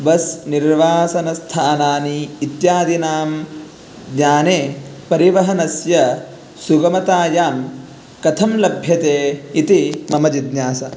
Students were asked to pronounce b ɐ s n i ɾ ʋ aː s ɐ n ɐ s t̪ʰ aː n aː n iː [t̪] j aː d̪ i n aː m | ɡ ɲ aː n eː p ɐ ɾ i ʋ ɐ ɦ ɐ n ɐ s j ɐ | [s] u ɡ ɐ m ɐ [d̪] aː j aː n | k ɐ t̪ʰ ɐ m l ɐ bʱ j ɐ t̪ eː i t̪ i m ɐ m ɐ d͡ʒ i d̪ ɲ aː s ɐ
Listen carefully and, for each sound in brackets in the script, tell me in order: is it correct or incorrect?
correct, correct, incorrect: t̪

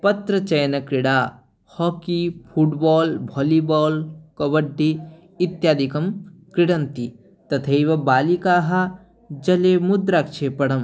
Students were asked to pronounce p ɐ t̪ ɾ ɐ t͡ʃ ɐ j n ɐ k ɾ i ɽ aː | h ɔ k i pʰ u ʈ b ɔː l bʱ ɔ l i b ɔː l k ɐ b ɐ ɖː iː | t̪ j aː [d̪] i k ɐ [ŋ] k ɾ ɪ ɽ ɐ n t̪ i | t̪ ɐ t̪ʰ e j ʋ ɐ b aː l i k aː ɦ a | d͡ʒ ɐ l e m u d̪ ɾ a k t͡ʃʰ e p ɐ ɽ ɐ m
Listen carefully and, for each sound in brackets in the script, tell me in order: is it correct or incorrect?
correct, incorrect: m

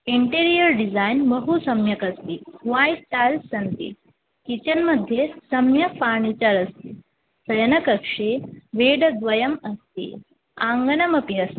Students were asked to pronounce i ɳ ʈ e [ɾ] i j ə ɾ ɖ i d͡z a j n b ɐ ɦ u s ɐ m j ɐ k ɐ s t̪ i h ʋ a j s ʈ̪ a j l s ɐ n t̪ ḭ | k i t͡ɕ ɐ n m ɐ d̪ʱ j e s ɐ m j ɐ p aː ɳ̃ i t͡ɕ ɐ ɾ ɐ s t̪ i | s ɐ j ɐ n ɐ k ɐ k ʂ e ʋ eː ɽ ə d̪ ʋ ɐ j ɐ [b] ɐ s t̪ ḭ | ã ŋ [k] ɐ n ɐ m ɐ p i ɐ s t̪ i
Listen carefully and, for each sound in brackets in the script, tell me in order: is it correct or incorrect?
correct, incorrect: m, incorrect: ɡ

